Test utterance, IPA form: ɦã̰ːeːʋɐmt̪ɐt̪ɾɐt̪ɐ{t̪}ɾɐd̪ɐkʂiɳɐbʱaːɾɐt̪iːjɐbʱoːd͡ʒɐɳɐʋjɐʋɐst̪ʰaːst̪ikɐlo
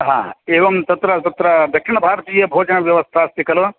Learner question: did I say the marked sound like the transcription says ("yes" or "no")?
yes